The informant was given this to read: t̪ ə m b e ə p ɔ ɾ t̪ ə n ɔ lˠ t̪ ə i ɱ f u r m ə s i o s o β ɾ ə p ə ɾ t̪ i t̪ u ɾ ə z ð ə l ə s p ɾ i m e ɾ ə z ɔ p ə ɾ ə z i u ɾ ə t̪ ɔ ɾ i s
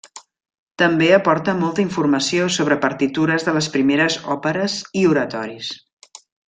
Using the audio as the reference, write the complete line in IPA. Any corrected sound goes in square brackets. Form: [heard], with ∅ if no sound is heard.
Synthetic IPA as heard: t̪ ə m b e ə p ɔ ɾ t̪ ə [m] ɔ lˠ t̪ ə i ɱ f u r m ə s i o s o β ɾ ə p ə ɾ t̪ i t̪ u ɾ ə z ð ə l ə s p ɾ i m e ɾ ə z ɔ p ə ɾ ə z i u ɾ ə t̪ ɔ ɾ i s